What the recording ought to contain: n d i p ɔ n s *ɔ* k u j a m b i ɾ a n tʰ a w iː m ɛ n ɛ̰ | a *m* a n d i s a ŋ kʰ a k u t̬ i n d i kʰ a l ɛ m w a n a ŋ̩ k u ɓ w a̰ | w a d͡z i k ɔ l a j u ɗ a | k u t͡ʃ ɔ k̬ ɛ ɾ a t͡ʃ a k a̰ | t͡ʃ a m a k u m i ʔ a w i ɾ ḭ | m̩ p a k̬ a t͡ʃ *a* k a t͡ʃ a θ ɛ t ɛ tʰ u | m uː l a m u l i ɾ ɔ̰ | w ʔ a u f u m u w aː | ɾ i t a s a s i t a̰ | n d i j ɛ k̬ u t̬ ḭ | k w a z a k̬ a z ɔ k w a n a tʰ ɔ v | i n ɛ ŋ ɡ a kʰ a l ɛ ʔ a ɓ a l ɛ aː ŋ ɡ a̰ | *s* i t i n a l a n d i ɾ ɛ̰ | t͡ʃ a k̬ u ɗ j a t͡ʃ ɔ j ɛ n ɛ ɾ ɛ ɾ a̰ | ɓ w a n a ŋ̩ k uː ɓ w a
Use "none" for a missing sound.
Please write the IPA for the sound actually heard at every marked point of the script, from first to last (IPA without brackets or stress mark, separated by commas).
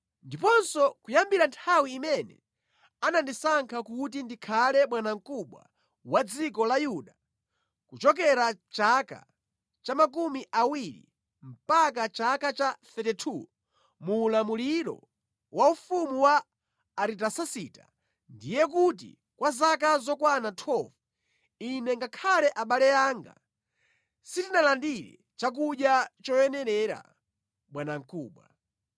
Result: ɔ, n, a, s